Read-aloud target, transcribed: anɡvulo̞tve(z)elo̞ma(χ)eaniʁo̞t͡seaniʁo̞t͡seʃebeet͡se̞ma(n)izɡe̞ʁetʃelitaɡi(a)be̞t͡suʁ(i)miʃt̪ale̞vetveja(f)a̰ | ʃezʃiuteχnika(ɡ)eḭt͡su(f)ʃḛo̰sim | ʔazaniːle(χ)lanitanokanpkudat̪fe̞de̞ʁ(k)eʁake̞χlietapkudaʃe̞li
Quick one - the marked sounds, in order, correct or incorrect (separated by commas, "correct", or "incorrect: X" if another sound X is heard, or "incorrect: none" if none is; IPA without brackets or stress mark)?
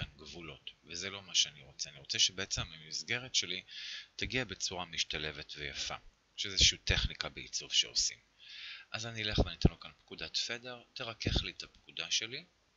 correct, incorrect: ʃ, incorrect: m, correct, incorrect: a, correct, incorrect: b, incorrect: v, correct, incorrect: t